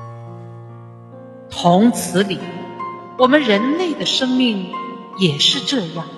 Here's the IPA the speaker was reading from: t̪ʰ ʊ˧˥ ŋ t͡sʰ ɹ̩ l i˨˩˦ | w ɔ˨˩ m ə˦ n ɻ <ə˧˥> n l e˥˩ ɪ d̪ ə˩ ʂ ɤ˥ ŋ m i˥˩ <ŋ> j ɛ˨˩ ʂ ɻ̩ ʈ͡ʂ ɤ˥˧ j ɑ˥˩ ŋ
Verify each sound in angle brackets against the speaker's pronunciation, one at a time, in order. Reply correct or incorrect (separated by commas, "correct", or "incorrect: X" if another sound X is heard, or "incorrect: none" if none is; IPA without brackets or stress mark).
correct, correct